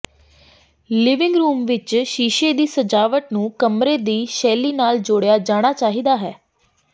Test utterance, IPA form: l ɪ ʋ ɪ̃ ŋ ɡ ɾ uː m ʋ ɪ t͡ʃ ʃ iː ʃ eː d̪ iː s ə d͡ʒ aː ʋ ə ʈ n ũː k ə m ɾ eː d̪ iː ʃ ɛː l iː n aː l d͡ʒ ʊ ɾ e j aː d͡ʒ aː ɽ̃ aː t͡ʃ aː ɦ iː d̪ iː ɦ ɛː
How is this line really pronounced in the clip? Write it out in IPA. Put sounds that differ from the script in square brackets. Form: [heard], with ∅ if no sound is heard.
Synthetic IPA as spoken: l ɪ ʋ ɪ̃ ŋ ɡ ɾ uː m ʋ ɪ t͡ʃ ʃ iː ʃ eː d̪ iː s ə d͡ʒ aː ʋ ə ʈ n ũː k ə m ɾ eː d̪ iː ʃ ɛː l iː n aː l d͡ʒ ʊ [ɽ] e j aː d͡ʒ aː ɽ̃ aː t͡ʃ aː ɦ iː d̪ [aː] ɦ ɛː